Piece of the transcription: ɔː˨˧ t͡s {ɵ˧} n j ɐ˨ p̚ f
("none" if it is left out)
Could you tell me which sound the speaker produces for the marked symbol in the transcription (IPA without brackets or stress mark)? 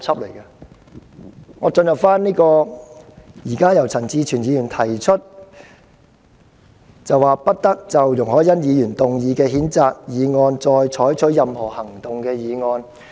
ɵ˧